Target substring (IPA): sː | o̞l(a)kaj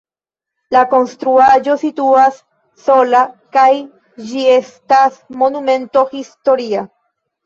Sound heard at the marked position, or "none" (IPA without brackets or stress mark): a